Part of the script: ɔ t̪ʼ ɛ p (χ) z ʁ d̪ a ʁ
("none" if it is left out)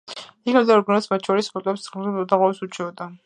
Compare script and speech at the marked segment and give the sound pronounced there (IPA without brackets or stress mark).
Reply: s